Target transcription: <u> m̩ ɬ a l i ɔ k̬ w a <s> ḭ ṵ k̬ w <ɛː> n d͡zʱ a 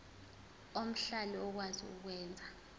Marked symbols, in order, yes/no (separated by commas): no, no, yes